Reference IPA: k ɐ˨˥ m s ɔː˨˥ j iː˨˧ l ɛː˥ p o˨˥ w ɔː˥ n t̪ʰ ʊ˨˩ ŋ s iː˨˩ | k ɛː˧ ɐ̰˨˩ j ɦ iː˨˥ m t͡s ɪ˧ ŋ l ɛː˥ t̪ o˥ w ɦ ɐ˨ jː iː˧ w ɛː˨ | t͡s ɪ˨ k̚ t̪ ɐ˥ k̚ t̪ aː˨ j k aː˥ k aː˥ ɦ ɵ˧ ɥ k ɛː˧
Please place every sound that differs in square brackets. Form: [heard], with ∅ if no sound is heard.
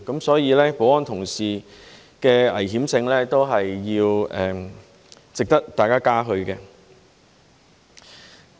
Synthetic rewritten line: k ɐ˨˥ m s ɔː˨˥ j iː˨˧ l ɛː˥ p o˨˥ w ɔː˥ n t̪ʰ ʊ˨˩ ŋ s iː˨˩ | k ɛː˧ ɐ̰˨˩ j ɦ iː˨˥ m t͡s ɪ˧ ŋ l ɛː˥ t̪ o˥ w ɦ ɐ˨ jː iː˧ w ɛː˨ | t͡s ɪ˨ k̚ t̪ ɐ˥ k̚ t̪ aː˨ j k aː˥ k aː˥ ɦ ɵ˧ ɥ k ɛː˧